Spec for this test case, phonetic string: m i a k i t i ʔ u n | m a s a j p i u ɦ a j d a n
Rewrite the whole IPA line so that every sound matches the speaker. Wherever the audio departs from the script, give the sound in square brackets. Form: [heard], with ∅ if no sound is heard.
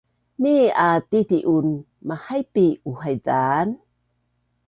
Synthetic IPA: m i a [t] i t i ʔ u n | m a [h] a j p i u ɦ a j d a n